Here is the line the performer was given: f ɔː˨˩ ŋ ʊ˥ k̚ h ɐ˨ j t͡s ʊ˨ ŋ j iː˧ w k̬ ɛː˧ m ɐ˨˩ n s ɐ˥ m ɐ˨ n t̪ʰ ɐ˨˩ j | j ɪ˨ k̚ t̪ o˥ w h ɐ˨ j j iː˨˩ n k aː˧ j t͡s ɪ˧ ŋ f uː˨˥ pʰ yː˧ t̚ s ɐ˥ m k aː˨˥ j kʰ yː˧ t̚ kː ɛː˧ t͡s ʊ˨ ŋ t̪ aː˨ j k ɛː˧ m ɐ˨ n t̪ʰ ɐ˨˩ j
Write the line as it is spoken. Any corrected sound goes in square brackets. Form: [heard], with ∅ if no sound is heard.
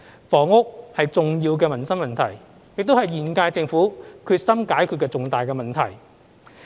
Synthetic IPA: f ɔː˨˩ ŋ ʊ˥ k̚ h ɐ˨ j t͡s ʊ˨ ŋ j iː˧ w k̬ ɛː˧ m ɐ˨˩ n s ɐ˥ m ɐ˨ n t̪ʰ ɐ˨˩ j | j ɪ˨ k̚ t̪ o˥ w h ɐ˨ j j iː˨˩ n k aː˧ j t͡s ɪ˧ ŋ f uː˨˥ [kʰ] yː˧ t̚ s ɐ˥ m k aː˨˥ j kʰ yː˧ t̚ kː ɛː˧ t͡s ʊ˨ ŋ t̪ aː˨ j k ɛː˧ m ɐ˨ n t̪ʰ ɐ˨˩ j